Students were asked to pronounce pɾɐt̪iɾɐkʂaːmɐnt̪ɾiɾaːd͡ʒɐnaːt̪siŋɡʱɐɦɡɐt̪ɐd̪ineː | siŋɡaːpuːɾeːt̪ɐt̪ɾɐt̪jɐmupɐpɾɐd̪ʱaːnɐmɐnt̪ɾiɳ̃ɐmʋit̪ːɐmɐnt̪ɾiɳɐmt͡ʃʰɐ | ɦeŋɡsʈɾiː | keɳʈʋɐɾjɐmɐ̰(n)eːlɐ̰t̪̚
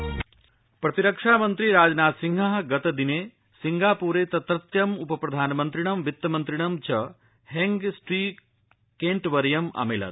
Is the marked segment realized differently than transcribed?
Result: yes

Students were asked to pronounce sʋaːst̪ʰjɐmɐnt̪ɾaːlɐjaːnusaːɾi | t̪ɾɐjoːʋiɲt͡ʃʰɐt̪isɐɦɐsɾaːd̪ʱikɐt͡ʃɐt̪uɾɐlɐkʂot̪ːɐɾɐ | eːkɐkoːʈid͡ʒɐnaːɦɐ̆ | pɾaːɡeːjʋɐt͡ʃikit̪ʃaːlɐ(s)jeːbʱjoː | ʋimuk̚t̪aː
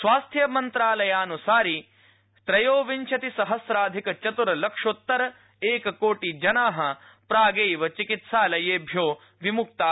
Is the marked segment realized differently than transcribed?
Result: yes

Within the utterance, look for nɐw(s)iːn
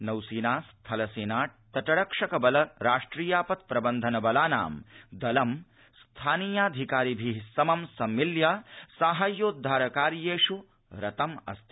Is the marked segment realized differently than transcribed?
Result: no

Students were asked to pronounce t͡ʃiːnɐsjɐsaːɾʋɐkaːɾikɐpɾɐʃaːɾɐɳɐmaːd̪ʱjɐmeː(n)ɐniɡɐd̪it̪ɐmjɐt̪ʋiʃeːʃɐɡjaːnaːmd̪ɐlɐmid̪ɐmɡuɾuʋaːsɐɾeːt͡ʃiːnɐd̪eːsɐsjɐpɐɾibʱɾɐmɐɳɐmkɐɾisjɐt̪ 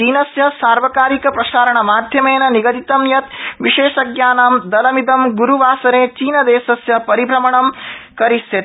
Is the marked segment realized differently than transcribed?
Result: no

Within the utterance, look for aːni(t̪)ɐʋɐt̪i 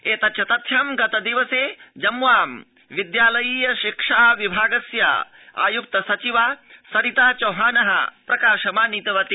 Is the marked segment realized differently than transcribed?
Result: no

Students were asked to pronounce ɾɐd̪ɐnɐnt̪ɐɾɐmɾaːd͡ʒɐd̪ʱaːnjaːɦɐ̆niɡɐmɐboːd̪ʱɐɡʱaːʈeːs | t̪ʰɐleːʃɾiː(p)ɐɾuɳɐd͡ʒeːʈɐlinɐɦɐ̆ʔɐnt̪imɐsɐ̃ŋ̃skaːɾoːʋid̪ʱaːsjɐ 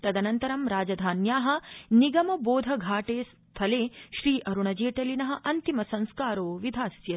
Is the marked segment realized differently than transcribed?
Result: yes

